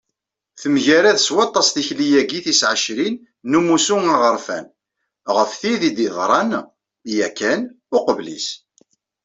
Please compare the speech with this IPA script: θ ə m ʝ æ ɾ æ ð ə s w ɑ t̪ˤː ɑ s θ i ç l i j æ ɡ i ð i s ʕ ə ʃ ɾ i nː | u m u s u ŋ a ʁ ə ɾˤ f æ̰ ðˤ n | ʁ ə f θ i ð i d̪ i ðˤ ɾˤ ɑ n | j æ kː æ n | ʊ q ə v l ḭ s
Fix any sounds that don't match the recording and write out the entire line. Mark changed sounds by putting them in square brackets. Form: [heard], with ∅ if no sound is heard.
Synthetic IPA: θ ə m ʝ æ ɾ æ ð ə s w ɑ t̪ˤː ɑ s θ i ç l i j æ ɡ i [θ] i s ʕ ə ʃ ɾ i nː | u m u s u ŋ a ʁ ə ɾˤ f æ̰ [∅] n | ʁ ə f θ i ð i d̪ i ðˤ ɾˤ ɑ n | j æ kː æ n | ʊ q ə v l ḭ s